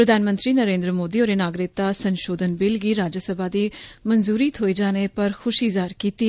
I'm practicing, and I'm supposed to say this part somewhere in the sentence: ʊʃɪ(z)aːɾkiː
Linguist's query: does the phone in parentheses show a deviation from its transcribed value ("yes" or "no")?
no